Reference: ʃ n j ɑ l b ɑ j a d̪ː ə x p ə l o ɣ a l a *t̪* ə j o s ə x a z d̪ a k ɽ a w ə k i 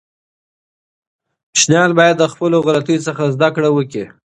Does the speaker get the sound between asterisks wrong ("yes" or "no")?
no